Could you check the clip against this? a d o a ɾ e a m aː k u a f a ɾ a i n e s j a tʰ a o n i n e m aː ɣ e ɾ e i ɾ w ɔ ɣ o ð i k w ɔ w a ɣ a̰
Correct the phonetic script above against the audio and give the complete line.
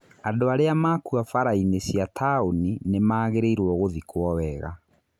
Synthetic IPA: a d o a ɾ e a m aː k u a f a ɾ a i n e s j a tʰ a o n i n e m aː ɣ e ɾ e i ɾ w ɔ ɣ o ð i k w ɔ w ɛ ɣ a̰